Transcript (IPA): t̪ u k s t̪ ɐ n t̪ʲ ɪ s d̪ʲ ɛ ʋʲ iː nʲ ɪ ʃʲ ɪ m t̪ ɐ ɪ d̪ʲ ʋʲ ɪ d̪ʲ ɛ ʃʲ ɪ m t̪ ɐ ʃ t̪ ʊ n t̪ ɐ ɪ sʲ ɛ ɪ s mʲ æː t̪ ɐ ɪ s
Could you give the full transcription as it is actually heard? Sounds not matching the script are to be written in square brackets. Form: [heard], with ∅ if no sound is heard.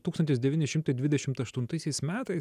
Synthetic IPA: t̪ u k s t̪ ɐ n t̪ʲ ɪ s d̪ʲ ɛ ʋʲ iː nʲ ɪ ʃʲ ɪ m t̪ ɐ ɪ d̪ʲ ʋʲ ɪ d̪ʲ ɛ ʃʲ ɪ m t̪ ɐ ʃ t̪ ʊ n t̪ ɐ ɪ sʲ ɛ ɪ s mʲ æː t̪ ɐ ɪ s